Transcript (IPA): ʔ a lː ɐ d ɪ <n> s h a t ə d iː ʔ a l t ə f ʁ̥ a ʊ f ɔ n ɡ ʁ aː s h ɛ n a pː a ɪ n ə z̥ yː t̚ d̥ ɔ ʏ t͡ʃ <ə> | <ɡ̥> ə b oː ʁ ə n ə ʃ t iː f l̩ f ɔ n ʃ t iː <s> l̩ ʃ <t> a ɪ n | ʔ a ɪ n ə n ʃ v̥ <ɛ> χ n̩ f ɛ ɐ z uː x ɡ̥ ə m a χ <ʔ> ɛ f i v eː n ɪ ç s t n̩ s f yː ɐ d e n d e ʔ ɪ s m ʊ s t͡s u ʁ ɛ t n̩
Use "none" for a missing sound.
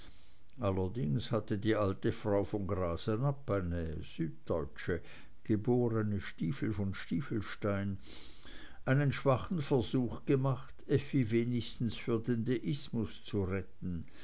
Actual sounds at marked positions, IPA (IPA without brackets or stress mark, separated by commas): ŋ, ə, ɡ̥, f, t, a, t